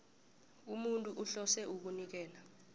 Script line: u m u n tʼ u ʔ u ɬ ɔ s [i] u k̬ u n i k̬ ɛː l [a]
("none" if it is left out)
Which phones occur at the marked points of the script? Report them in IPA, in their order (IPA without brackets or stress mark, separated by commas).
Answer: ɛ, a